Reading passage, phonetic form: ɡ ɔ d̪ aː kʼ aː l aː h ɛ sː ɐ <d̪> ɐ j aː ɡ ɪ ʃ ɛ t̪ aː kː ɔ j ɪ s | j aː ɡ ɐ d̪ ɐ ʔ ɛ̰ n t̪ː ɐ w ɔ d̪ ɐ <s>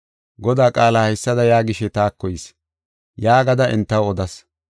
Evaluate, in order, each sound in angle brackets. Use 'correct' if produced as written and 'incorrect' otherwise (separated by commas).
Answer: correct, correct